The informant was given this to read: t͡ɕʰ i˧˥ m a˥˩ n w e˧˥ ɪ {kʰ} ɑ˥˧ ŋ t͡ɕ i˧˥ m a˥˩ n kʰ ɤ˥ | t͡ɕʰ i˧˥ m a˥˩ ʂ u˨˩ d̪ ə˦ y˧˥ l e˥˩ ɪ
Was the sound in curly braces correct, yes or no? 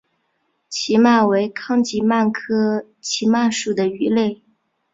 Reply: yes